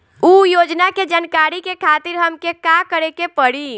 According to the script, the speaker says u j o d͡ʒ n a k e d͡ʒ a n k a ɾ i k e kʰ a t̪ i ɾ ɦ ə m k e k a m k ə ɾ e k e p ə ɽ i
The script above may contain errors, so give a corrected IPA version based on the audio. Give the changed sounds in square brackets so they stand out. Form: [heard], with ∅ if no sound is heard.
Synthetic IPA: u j o d͡ʒ n a k e d͡ʒ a n k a ɾ i k e kʰ a t̪ i ɾ ɦ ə m k e k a [∅] k ə ɾ e k e p ə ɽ i

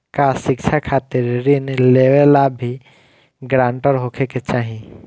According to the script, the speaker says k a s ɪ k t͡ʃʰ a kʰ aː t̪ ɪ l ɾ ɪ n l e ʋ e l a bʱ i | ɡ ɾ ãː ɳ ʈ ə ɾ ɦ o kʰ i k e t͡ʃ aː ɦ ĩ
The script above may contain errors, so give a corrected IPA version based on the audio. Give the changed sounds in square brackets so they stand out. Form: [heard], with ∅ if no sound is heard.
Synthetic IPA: k a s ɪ k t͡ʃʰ a kʰ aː t̪ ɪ [ɾ] ɾ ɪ n l e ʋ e l a bʱ i | ɡ ɾ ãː ɳ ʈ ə ɾ ɦ o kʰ [e] k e t͡ʃ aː ɦ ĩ

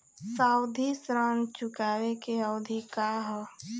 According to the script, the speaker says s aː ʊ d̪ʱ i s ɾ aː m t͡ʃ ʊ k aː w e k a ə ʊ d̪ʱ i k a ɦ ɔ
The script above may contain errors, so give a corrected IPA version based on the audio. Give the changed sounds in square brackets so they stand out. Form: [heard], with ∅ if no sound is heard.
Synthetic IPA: s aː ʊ d̪ʱ i s ɾ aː [n] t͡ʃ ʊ k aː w e k [e] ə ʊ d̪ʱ i k a ɦ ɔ

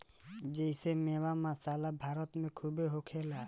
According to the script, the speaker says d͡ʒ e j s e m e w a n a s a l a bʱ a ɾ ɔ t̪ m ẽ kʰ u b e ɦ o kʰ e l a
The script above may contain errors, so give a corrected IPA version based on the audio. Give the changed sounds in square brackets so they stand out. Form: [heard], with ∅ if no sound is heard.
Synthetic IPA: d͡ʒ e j s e m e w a [m] a s a l a bʱ a ɾ ɔ t̪ m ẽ kʰ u b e ɦ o kʰ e l a

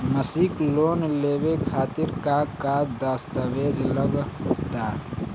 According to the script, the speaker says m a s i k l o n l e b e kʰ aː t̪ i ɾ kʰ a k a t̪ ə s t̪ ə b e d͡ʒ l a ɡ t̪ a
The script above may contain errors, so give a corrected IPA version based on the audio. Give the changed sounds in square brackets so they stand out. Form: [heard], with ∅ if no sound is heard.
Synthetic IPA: m [ə] s i k l o n l e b e kʰ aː t̪ i ɾ [k] a k a [d̪] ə s t̪ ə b e d͡ʒ l [ə] ɡ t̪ a

